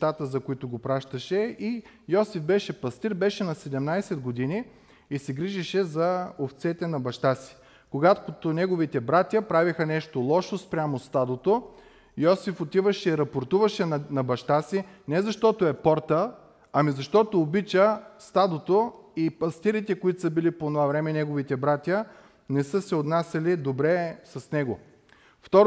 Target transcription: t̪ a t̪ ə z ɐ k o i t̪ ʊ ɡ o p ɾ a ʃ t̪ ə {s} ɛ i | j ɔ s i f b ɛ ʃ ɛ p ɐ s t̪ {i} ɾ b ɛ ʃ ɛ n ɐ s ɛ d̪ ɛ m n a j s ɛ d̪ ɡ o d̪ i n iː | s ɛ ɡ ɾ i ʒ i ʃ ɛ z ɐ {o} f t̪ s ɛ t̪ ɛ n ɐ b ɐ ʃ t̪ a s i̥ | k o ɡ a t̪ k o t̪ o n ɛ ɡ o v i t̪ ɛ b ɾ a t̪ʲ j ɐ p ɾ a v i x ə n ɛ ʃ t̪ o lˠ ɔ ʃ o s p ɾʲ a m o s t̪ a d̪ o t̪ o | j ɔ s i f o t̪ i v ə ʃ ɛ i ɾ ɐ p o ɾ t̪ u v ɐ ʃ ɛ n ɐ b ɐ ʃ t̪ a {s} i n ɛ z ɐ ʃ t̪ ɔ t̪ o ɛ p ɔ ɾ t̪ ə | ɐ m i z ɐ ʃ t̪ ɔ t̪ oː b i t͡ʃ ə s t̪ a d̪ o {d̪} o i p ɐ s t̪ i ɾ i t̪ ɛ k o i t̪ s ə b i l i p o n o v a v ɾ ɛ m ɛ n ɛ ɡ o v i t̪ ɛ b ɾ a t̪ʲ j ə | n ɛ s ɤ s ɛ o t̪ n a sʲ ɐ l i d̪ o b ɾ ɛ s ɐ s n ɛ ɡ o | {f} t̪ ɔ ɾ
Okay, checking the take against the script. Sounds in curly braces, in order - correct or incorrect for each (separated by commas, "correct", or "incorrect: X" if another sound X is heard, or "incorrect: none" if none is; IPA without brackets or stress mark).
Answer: incorrect: ʃ, correct, correct, correct, incorrect: t̪, correct